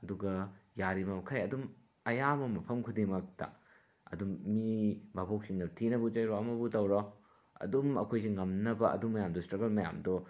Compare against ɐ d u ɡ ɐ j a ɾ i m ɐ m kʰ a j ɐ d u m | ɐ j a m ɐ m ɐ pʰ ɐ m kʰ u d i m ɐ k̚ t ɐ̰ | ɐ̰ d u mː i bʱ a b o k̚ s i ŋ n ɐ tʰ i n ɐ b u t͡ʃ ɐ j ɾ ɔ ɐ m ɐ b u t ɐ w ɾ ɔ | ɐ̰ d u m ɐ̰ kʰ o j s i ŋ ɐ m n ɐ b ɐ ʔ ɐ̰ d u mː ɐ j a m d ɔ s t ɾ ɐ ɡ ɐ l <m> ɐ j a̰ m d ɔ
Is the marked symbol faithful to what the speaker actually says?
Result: yes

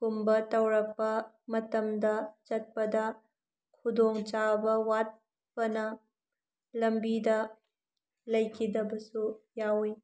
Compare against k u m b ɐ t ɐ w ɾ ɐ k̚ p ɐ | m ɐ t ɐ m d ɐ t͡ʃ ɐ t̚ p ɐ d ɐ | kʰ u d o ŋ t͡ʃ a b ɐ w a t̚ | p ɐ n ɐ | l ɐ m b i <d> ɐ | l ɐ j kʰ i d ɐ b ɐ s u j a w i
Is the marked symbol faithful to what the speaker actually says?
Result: yes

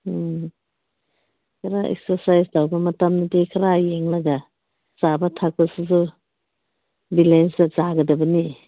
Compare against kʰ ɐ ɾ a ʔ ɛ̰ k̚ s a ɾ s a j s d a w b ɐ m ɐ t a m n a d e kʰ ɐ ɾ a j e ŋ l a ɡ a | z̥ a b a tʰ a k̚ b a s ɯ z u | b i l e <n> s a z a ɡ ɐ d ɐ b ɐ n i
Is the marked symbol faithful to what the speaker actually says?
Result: yes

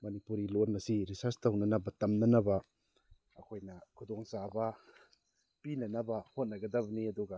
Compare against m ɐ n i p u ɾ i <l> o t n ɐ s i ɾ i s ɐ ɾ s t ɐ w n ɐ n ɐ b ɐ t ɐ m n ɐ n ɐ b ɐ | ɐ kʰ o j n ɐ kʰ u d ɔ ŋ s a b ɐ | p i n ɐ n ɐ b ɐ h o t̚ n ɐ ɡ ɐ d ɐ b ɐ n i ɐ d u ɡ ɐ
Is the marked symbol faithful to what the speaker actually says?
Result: yes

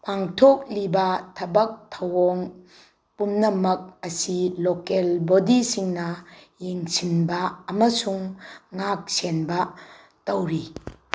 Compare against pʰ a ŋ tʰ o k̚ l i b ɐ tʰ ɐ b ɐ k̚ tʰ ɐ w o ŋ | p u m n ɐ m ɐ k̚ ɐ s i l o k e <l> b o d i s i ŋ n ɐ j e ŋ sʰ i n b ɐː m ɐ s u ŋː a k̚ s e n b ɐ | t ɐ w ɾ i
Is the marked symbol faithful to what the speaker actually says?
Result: yes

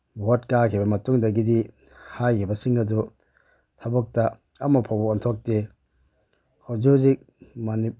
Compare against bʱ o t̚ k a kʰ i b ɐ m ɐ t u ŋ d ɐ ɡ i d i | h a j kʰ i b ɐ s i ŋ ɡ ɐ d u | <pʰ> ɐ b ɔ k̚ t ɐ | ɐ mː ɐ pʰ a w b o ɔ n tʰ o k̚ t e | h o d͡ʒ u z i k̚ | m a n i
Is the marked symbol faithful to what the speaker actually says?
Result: no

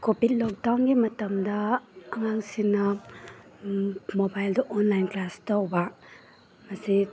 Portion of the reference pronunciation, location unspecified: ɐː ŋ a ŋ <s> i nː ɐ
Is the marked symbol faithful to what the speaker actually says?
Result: yes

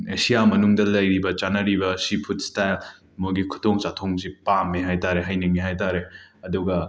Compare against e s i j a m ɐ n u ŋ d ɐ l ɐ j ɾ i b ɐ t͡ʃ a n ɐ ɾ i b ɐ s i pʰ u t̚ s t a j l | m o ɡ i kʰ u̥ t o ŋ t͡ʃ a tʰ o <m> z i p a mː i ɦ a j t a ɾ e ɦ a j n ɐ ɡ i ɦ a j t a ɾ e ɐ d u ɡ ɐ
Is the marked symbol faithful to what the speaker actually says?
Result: no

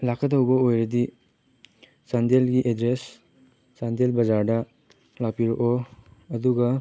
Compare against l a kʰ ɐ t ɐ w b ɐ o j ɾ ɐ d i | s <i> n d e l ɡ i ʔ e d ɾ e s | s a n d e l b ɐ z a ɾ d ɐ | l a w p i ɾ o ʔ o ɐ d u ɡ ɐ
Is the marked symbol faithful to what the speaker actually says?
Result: no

